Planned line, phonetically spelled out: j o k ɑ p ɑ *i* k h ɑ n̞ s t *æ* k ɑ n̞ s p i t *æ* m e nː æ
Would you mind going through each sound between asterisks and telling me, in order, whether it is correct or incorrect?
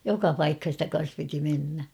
correct, correct, incorrect

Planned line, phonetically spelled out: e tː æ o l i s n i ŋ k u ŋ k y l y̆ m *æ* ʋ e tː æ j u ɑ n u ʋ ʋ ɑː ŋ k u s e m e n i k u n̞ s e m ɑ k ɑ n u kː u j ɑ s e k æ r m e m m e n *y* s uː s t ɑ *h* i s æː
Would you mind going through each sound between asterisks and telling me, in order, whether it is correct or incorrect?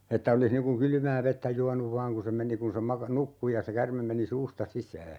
incorrect, incorrect, incorrect

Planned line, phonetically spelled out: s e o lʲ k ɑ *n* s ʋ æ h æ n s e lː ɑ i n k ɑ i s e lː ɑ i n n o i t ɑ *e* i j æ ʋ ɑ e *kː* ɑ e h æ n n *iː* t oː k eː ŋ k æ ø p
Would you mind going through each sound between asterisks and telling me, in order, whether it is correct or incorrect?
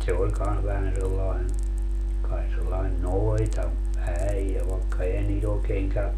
correct, incorrect, correct, correct

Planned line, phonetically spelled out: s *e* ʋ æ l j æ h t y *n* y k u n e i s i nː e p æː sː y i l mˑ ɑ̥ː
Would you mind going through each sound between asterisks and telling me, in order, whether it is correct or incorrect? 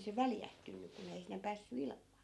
correct, incorrect

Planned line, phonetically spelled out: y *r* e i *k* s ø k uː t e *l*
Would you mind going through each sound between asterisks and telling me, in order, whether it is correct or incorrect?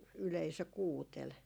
incorrect, incorrect, correct

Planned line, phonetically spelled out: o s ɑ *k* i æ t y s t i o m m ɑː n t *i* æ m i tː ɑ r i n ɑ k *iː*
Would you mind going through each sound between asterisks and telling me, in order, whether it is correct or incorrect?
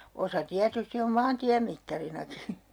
incorrect, correct, incorrect

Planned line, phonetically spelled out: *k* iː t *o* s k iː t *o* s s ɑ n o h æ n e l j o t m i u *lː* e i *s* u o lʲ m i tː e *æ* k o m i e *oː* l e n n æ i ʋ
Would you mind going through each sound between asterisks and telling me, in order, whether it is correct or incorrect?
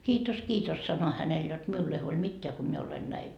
correct, correct, correct, correct, incorrect, correct, incorrect

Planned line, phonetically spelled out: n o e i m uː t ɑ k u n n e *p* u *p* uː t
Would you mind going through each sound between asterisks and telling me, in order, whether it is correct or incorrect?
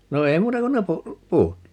correct, correct

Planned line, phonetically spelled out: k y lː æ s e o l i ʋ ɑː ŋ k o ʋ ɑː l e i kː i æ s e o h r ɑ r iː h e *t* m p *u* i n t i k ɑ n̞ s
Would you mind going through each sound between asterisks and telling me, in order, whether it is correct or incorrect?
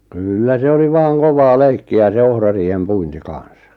incorrect, correct

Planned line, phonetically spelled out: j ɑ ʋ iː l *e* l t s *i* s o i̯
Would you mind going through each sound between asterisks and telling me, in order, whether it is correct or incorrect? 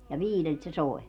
correct, incorrect

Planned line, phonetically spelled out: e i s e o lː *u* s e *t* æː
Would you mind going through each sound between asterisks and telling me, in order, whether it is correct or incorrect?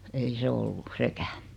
correct, incorrect

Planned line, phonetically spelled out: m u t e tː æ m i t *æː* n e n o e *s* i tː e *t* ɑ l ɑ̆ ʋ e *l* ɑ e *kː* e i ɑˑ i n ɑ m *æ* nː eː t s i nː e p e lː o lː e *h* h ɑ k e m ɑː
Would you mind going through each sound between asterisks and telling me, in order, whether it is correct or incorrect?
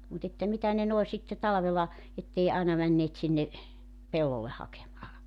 incorrect, correct, correct, correct, incorrect, correct, correct

